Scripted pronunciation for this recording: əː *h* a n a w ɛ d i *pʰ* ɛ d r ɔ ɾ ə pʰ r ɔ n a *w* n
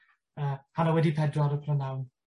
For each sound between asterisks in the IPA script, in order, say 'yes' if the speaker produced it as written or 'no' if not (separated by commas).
yes, yes, yes